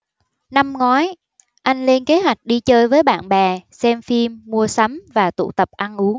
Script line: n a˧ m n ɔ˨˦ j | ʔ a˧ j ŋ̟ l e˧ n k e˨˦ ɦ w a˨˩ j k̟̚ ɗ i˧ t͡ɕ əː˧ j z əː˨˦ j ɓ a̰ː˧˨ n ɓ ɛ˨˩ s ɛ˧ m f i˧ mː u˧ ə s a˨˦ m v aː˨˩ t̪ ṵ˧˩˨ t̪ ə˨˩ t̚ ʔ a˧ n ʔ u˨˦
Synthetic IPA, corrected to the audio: n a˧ m ŋ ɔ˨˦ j | ʔ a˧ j ŋ̟ l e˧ n k e˨˦ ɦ w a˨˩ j k̟̚ ɗ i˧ t͡ɕ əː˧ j v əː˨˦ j ɓ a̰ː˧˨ n ɓ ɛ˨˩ s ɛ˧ m f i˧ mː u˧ ə s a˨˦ m v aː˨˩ t̪ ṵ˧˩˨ t̪ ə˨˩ p̚ ʔ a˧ n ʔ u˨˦